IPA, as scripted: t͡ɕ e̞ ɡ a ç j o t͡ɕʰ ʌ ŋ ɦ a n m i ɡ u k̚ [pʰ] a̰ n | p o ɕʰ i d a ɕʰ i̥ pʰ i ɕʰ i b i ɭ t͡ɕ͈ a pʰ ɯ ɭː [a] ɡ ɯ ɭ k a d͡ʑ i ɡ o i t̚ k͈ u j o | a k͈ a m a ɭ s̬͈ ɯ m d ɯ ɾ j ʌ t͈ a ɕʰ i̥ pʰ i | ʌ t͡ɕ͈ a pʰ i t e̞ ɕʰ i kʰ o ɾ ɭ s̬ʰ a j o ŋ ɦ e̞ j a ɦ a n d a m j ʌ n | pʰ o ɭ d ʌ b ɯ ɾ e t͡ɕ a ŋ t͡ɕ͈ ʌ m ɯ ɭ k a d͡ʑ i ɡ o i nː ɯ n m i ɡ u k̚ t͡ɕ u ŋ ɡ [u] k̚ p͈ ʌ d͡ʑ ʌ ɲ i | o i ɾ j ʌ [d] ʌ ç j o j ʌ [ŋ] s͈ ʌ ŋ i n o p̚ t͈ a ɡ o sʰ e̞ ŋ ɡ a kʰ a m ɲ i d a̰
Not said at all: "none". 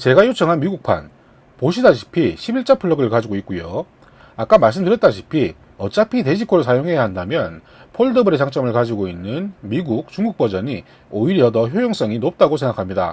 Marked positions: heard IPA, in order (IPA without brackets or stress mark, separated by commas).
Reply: pʰ, ʌ, u, d, ŋ